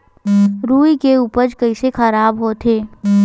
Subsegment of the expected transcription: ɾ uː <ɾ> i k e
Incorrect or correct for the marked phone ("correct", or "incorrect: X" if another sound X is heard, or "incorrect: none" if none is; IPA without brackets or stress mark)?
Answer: incorrect: none